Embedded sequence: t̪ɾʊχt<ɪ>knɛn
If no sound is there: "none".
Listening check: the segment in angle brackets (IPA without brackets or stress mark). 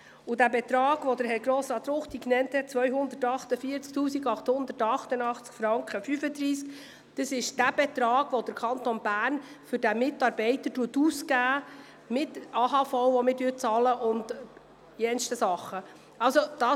i